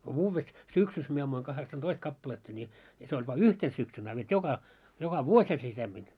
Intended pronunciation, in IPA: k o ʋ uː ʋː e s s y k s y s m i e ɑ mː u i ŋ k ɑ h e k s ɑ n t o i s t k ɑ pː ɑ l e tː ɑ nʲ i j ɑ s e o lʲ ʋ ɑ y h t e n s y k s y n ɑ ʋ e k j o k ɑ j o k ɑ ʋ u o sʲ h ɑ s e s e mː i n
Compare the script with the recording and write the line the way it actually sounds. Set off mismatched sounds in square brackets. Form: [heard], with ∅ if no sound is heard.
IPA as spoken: k o ʋ uː ʋː e s s y k s y s m i e ɑ mː u i ŋ k ɑ h e k s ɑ n t o i s t k ɑ pː ɑ l e tː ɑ nʲ i j ɑ s e o lʲ ʋ ɑ y h t e n s y k s y n ɑ ʋ e [t] j o k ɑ j o k ɑ ʋ u o sʲ h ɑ s e s e mː i n